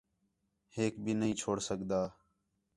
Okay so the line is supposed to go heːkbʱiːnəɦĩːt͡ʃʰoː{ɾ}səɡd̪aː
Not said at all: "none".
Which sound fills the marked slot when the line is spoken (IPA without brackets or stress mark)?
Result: ɽ